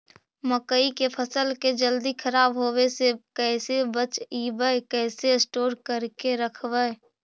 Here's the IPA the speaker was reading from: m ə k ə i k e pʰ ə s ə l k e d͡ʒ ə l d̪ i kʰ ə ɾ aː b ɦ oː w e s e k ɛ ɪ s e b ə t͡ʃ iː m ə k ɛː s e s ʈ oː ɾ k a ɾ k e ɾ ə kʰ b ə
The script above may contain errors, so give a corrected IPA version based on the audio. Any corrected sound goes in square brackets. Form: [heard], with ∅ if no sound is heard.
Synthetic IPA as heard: m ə k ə i k e pʰ ə s ə l k e d͡ʒ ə l d̪ i kʰ ə ɾ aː b ɦ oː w e s e k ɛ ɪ s e b ə t͡ʃ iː [b] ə k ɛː s e s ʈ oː ɾ k [ə] ɾ k e ɾ ə kʰ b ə